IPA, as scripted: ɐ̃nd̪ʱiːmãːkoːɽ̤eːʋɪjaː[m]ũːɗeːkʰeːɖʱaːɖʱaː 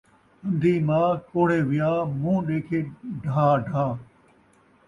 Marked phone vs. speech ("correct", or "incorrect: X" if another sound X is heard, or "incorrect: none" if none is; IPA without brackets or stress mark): correct